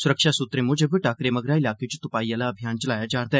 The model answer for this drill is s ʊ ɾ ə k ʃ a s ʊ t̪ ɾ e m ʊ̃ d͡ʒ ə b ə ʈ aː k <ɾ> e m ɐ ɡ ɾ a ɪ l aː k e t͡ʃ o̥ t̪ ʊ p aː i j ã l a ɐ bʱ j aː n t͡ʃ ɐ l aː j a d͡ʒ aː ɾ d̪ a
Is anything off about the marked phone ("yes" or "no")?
no